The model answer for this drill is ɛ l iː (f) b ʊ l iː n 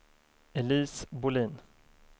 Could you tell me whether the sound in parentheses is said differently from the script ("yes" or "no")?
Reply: yes